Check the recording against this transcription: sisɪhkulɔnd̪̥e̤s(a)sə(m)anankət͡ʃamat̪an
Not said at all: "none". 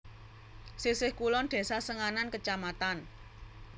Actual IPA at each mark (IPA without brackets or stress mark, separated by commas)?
a, ŋ